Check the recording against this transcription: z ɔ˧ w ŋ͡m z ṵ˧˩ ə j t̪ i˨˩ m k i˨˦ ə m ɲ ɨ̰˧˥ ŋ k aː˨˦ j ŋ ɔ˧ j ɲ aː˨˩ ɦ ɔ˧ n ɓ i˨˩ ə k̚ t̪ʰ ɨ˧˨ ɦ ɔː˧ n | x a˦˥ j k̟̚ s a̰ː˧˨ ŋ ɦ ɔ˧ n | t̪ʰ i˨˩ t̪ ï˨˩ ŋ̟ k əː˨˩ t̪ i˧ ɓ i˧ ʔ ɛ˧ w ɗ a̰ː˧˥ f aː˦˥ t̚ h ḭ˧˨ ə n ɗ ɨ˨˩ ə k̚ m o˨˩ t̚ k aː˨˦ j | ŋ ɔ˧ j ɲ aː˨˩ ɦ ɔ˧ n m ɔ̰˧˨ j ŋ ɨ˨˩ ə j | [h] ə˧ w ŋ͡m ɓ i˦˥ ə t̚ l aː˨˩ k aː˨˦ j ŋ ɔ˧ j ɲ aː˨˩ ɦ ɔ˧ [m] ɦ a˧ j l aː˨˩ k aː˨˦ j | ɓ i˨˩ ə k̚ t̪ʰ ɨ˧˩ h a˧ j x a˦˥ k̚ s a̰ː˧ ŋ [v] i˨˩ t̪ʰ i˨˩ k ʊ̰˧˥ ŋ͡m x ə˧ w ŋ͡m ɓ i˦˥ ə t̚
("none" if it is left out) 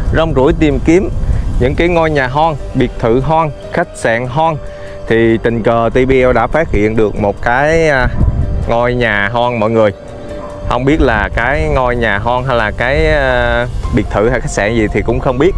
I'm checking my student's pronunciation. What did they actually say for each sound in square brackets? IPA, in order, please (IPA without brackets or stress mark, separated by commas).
h, n, z